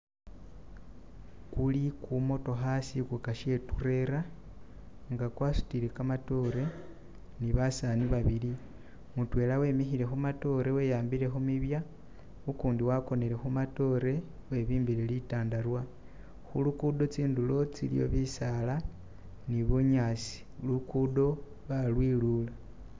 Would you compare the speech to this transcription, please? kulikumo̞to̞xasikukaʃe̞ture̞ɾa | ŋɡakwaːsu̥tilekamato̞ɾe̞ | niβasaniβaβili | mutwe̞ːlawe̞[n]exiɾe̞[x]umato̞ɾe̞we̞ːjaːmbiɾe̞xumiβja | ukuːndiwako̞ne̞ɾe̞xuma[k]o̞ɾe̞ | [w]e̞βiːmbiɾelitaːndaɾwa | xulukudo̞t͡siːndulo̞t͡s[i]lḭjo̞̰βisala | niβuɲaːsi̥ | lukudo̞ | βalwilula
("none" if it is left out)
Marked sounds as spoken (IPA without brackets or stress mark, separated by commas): m, x, t, w, i